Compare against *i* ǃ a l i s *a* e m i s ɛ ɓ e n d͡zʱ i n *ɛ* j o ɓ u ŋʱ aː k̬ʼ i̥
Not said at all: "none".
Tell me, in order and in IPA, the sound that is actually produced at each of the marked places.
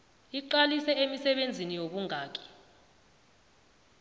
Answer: i, ɛ, i

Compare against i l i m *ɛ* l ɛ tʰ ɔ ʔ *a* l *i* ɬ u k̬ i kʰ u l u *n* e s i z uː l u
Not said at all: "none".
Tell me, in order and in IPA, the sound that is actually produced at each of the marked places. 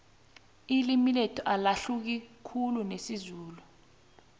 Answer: i, a, a, n

